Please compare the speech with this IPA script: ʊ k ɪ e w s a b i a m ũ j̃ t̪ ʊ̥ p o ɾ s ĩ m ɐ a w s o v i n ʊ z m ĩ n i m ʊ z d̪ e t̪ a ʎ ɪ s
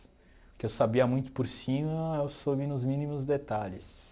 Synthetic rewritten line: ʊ k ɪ e w s a b i ɐ m ũ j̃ t̪ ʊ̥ p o ɾ s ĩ m ɐ e w s o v i n ʊ z m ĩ n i m ʊ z d̪ e t̪ a ʎ ɪ s